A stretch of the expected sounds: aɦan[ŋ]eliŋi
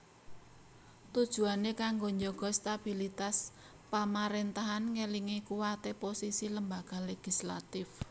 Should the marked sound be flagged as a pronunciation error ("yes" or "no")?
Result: no